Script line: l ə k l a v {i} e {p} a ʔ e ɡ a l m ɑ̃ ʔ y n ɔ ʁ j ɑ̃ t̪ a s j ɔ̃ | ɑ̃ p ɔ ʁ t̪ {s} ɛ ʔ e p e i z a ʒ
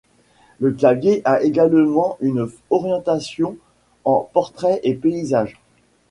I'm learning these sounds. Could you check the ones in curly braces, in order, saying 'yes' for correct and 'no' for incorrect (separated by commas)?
no, no, no